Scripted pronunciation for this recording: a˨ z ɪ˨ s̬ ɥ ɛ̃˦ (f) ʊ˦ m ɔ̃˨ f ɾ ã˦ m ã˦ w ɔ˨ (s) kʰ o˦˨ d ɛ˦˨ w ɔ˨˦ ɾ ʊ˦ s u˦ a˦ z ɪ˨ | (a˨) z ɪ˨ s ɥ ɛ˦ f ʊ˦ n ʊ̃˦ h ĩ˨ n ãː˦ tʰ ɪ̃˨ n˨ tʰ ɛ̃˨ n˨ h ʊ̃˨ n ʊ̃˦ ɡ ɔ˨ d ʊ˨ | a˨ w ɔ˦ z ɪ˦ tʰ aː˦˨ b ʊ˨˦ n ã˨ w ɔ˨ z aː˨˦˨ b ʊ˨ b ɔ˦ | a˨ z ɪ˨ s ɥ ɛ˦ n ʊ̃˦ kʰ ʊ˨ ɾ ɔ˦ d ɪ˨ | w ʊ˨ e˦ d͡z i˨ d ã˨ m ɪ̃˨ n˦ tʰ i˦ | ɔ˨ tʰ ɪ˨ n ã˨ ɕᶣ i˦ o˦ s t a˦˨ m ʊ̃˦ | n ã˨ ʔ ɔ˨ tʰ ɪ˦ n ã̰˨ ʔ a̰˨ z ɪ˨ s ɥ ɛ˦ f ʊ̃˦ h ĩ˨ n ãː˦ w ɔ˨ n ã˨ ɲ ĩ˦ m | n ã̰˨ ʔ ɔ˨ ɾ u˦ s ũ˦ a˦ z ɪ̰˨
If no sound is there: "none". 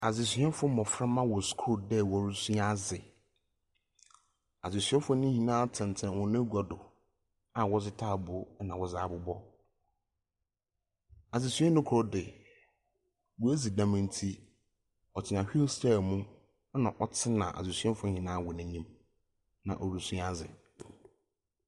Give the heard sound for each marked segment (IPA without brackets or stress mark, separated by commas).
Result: f, s, a˨